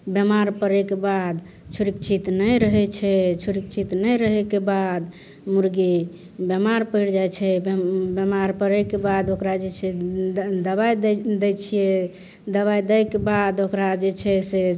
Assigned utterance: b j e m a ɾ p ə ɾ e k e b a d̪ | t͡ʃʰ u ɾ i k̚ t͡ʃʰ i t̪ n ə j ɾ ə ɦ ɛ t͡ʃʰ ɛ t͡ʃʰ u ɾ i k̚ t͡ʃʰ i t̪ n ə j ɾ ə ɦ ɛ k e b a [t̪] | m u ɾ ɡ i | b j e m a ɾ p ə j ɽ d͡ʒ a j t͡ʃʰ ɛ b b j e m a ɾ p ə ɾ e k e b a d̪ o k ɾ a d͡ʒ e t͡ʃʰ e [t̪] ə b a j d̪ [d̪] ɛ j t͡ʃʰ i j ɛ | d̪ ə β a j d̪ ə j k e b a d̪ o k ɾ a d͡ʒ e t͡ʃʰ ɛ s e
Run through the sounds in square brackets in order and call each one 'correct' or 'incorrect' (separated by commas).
incorrect, incorrect, correct